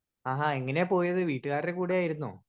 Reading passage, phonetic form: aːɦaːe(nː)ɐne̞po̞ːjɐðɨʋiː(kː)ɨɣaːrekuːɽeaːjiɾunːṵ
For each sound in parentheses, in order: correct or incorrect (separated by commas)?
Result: incorrect, incorrect